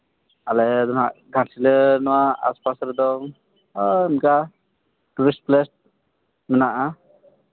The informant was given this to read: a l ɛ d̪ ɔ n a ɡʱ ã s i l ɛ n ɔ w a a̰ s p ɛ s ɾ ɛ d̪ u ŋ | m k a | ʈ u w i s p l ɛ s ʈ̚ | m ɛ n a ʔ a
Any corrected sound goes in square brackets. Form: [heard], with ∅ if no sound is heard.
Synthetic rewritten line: a l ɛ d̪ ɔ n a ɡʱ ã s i l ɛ n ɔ w a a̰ s p [a] s ɾ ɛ d̪ [ɔ] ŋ | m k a | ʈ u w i s p l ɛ s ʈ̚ | m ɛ n a ʔ a